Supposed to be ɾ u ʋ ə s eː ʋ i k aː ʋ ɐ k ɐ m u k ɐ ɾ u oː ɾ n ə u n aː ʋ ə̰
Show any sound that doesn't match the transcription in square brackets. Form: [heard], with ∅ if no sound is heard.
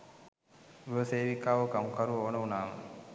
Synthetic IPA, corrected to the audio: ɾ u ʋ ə s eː ʋ i k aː ʋ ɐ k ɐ m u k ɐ ɾ u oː [∅] n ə u n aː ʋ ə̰